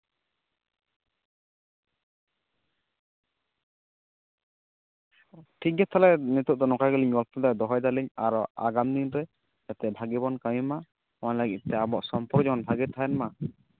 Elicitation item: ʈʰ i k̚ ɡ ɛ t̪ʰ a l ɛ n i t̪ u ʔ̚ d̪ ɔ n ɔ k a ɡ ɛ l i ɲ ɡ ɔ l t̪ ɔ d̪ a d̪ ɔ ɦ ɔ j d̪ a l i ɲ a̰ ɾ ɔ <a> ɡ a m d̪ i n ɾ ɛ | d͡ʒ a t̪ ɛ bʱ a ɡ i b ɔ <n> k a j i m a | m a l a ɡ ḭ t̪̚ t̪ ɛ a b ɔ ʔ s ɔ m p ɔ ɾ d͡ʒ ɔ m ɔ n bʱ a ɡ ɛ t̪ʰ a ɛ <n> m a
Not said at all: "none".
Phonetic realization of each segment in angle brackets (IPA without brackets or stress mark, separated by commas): a, n, n